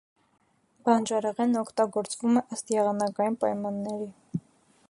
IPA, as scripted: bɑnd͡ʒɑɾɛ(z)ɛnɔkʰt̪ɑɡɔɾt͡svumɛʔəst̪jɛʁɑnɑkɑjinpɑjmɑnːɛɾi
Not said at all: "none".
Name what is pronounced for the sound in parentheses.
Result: ʁ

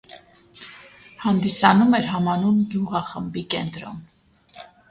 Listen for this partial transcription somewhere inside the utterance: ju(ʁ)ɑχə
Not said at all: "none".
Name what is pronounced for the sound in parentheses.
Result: ʁ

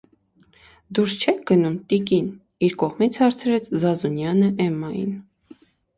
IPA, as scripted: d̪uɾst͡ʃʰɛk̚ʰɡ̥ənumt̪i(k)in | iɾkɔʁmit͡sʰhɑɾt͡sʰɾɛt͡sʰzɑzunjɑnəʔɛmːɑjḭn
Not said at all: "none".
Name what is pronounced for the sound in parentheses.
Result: k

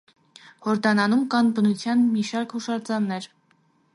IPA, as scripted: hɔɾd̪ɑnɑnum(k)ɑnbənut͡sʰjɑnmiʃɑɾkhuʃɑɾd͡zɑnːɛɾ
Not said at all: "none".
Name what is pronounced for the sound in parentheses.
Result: k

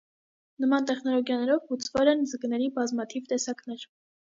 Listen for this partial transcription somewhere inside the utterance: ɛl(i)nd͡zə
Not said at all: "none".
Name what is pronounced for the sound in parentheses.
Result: ɛ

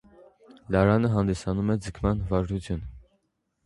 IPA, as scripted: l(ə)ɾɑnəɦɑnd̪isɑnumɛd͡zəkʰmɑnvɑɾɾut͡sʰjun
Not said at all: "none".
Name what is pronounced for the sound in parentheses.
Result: ɑ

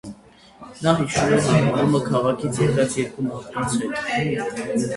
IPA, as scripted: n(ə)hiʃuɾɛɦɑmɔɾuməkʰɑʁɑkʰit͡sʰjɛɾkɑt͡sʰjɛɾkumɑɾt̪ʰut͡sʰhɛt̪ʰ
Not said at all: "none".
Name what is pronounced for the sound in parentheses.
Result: ɑ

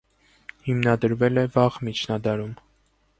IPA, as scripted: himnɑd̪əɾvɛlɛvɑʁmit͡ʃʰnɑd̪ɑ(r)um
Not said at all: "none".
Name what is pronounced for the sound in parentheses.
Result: ɾ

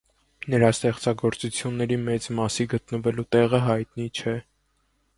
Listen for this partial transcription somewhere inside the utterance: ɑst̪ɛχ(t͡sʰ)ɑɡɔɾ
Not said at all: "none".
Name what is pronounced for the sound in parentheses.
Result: t͡s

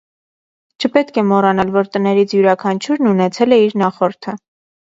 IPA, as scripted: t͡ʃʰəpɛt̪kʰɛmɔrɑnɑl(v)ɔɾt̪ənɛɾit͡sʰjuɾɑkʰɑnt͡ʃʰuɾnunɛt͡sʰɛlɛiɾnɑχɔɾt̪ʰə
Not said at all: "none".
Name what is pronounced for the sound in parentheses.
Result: v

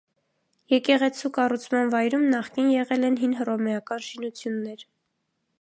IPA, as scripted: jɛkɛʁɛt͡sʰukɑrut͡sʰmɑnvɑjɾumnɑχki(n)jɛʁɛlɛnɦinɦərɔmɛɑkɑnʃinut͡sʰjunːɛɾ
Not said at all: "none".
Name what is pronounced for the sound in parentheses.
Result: n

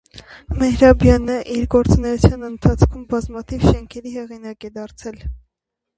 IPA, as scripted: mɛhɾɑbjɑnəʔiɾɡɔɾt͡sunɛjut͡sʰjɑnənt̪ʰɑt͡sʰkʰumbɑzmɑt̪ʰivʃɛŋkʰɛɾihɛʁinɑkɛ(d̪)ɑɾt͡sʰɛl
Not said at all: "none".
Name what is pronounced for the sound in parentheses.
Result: d̪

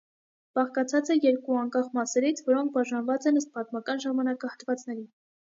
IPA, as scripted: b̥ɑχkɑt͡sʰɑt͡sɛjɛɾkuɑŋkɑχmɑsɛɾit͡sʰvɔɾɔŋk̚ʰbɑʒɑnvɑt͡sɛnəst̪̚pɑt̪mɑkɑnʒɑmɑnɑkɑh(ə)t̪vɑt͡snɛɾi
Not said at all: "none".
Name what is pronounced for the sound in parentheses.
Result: ə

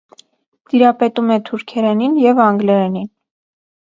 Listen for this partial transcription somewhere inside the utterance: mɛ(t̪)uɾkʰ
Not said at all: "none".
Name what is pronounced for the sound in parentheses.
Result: t̪ʰ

